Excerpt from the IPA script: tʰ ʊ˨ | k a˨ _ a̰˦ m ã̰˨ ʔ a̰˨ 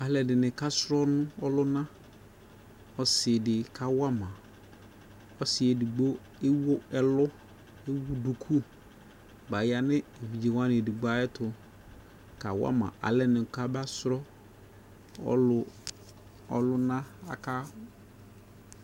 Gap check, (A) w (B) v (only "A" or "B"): A